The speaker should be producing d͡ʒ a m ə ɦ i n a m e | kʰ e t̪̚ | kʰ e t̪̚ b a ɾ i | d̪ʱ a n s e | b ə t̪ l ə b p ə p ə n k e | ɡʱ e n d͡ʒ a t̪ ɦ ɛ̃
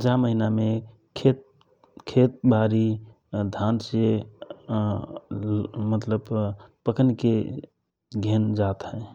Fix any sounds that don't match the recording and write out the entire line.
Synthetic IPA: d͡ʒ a m ə ɦ i n a m e | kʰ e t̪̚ | kʰ e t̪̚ b a ɾ i | d̪ʱ a n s e | m ə t̪ l ə b p ə k ə n k e | ɡʱ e n d͡ʒ a t̪ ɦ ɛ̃